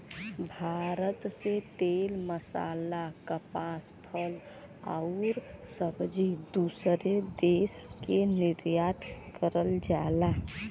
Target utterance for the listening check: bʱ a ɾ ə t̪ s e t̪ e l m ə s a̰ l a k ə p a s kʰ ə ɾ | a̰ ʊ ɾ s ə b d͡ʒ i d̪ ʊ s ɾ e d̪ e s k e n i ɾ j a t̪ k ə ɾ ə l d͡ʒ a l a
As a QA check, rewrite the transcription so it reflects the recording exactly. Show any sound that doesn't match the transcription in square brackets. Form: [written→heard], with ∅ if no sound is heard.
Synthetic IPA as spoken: bʱ a ɾ ə t̪ s e t̪ e l m ə s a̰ l a k ə p a s [kʰ→pʰ] ə [ɾ→l] | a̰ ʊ ɾ s ə b d͡ʒ i d̪ [ʊ→u] s ɾ e d̪ e s k e n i ɾ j a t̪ k ə ɾ ə l d͡ʒ a l a